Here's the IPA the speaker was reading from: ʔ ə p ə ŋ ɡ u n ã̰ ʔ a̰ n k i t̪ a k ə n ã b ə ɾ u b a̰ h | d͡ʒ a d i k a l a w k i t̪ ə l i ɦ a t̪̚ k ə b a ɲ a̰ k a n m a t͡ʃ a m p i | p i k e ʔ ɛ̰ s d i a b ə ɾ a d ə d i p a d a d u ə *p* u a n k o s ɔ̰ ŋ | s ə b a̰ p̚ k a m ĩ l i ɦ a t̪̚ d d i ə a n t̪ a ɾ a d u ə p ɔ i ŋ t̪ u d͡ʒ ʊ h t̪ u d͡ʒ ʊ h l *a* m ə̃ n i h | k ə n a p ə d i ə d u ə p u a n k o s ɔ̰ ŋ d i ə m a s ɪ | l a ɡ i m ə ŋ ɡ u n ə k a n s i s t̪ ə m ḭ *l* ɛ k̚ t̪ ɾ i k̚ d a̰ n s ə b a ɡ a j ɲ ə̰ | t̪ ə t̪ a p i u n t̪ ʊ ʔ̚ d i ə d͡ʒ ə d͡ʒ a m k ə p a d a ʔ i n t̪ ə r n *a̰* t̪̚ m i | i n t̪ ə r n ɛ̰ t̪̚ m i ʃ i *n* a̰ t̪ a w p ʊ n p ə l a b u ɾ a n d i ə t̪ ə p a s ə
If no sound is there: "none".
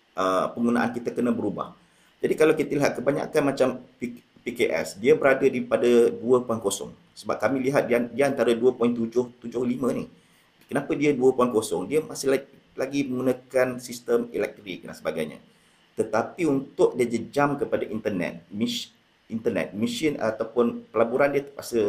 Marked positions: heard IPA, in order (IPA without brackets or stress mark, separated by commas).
p, i, l, ɛ̰, n